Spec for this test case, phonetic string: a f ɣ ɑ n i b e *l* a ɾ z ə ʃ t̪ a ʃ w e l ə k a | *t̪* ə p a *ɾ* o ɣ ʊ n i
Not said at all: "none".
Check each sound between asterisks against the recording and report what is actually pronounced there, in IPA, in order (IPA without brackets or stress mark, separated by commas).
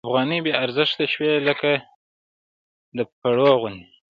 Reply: none, d̪, ɽ